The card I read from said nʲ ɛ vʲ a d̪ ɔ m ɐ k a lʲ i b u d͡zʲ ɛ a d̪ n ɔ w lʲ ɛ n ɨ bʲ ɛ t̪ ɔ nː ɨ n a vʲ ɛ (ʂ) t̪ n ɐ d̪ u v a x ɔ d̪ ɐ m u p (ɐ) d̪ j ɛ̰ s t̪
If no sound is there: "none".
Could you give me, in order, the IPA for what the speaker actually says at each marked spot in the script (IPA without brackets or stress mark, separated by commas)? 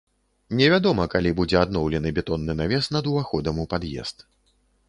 s, a